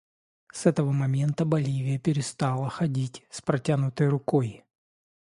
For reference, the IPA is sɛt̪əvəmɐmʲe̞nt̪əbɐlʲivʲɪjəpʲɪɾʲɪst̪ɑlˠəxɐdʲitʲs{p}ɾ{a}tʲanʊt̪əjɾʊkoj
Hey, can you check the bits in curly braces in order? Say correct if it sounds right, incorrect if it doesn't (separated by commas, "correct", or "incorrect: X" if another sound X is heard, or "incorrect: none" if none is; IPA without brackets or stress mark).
correct, incorrect: ɐ